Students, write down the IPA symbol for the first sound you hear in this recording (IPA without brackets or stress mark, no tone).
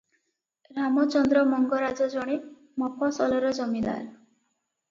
ɾ